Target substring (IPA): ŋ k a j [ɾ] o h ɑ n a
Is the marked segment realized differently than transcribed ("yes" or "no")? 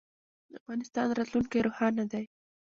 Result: no